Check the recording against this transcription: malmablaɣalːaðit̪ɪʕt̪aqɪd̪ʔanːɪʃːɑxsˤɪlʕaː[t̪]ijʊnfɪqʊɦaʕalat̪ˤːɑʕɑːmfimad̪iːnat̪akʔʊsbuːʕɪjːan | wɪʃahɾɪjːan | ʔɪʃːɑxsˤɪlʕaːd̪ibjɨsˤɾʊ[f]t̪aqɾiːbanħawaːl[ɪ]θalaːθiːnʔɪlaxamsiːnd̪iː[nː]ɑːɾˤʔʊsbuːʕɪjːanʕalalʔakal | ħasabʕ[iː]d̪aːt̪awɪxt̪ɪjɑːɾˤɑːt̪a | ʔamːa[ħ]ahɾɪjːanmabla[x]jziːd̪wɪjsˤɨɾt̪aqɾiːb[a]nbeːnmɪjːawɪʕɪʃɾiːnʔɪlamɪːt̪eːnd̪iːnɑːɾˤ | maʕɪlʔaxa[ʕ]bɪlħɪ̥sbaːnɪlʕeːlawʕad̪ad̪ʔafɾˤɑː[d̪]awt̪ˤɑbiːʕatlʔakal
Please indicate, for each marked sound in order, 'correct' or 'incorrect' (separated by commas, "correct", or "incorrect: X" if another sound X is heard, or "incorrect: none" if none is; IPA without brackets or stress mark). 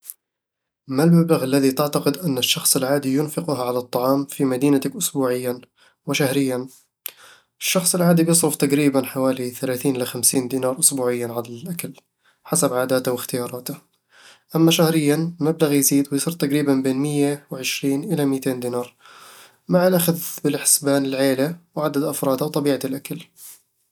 incorrect: d̪, correct, incorrect: i, incorrect: n, incorrect: aː, incorrect: ʃ, incorrect: ɣ, correct, incorrect: ð, correct